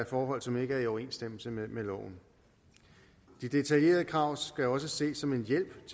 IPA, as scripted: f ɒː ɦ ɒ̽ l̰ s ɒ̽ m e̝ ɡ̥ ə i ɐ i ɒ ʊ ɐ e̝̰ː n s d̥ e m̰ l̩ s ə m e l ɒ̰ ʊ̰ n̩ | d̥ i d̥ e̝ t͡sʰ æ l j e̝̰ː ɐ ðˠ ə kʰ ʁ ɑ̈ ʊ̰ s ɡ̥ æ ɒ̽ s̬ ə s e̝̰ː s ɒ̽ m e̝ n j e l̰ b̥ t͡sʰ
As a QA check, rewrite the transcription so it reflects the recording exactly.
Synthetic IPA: f ɒː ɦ ɒ̽ l̰ s ɒ̽ m e̝ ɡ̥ ə æ ɐ i ɒ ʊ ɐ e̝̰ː n s d̥ e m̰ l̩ s ə m e l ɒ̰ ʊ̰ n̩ | d̥ i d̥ e̝ t͡sʰ æ l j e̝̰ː ɐ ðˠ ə kʰ ʁ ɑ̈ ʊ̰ s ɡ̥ æ ɒ̽ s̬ ə s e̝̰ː s ɒ̽ m e̝ n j e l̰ b̥ t͡sʰ